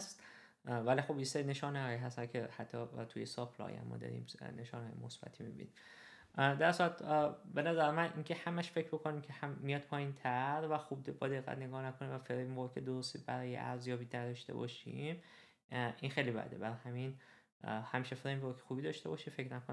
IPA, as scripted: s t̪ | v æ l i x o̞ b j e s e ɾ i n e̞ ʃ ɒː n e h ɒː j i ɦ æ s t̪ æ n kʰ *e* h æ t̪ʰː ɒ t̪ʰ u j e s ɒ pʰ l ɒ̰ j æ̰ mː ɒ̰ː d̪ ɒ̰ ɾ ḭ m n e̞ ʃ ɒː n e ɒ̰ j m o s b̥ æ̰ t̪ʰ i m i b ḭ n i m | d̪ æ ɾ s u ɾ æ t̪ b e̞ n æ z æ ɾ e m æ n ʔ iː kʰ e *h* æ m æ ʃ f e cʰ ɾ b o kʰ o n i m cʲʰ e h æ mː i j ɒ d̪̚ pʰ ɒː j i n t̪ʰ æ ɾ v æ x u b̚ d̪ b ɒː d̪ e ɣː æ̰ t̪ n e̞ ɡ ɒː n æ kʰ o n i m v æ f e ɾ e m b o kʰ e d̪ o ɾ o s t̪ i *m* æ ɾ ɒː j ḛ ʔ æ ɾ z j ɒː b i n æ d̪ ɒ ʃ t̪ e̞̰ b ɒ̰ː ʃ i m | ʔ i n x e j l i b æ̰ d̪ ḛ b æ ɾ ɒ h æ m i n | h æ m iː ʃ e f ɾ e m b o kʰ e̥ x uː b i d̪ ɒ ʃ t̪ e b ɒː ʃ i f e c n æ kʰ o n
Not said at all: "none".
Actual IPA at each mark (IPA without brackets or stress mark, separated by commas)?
e, h, b